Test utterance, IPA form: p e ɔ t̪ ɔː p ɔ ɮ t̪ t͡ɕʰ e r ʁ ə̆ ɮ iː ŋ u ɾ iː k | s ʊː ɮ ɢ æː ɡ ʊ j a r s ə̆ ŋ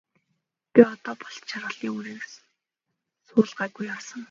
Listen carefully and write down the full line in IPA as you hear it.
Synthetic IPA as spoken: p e ɔ t̪ ɔː p ɔ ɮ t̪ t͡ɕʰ a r ʁ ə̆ ɮ iː ŋ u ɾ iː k | s ʊː ɮ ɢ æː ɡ u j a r s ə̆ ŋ